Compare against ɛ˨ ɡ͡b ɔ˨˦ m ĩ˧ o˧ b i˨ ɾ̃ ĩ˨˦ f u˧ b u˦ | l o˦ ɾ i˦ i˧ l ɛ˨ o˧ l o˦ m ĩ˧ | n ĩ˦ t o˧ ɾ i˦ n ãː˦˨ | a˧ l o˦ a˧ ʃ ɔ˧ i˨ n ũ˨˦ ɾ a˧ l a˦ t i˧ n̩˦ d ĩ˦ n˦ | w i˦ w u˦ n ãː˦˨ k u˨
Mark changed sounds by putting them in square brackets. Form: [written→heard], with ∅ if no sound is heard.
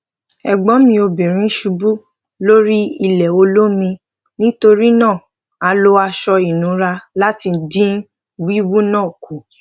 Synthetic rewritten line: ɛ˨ ɡ͡b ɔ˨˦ m ĩ˧ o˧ b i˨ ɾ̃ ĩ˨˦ [f→ʃ] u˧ b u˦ | l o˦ ɾ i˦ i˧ l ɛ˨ o˧ l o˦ m ĩ˧ | n ĩ˦ t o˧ ɾ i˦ n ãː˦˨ | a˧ l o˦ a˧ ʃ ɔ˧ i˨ n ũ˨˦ ɾ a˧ l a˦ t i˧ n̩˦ d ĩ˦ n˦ | w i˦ w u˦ n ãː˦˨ k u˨